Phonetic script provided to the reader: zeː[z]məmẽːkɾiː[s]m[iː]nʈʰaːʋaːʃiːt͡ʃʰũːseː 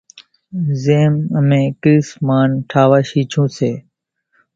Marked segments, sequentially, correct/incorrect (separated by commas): incorrect, correct, incorrect